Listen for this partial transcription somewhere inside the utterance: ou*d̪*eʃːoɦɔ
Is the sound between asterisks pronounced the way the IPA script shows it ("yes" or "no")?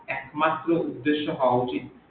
no